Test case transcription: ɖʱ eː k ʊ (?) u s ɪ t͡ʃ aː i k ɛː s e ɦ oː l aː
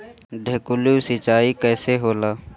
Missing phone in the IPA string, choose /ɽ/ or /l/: l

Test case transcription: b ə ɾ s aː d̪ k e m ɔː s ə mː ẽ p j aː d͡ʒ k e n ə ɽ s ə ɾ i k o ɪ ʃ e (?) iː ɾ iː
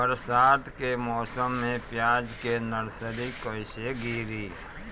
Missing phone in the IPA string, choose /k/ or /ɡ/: ɡ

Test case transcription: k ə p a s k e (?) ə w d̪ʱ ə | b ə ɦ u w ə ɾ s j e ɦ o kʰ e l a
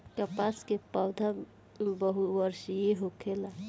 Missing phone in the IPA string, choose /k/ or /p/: p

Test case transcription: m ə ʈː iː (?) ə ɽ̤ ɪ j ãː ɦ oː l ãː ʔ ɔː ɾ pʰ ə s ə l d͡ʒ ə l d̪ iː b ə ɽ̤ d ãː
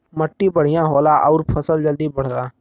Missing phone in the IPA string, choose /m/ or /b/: b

